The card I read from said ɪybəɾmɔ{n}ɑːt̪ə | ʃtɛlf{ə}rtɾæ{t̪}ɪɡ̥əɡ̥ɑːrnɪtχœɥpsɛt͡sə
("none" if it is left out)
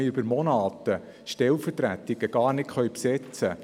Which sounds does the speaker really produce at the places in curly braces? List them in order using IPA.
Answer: n, ə, t̪

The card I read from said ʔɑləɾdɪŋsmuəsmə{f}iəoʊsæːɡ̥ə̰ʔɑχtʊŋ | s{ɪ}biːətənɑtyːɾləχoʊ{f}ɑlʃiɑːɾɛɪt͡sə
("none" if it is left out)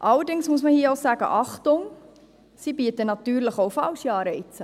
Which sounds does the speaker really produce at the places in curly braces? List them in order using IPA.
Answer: h, i, f

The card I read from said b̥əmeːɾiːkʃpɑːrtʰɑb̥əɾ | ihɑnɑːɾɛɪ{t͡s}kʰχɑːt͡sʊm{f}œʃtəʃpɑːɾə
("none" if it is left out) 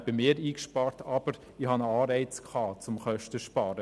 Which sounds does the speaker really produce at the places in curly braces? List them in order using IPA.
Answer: t͡s, χ

